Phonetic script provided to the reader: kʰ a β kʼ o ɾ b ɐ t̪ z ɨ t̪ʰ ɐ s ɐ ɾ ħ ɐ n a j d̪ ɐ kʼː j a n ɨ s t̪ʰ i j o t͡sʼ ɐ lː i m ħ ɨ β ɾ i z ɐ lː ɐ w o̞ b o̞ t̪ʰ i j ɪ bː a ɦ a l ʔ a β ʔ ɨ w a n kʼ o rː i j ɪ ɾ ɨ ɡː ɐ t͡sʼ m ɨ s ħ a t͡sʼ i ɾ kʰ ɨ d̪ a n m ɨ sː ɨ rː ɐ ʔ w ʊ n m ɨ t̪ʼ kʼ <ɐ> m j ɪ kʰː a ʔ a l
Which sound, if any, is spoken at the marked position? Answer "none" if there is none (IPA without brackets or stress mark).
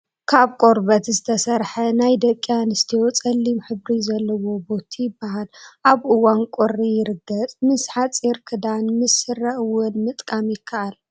a